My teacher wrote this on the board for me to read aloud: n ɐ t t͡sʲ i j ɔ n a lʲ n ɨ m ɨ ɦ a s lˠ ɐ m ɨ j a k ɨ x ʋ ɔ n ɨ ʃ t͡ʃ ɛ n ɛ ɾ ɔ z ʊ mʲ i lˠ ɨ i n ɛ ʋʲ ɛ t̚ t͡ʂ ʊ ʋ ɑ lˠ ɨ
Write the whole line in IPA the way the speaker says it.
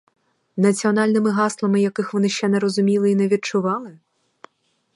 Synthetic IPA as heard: n ɐ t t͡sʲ i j ɔ n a lʲ n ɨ m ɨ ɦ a s lˠ ɐ m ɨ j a k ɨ x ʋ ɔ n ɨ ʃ t͡ʃ ɛ n ɛ ɾ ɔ z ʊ mʲ i lˠ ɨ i n ɛ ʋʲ i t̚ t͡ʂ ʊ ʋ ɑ lˠ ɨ